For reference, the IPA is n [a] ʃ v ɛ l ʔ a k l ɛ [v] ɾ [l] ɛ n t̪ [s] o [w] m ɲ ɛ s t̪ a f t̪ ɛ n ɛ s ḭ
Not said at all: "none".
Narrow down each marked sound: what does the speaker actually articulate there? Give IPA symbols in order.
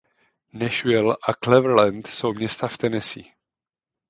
ɛ, v, l, s, w

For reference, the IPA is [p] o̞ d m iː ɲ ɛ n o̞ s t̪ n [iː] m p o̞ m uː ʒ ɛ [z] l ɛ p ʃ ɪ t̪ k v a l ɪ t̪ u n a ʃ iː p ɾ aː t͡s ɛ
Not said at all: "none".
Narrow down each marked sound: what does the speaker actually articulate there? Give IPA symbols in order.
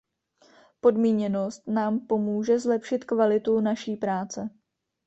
p, aː, z

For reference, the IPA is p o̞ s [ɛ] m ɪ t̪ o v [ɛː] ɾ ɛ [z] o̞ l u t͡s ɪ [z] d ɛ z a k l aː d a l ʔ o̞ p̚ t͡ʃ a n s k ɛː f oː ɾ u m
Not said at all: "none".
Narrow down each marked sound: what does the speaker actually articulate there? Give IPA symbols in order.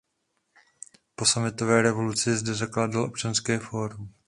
a, ɛː, v, z

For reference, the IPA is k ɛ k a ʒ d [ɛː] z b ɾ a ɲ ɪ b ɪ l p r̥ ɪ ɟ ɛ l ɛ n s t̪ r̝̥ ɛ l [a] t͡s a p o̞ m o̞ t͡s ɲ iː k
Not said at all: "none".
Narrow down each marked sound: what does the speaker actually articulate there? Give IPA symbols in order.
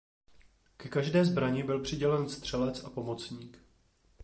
ɛː, ɛ

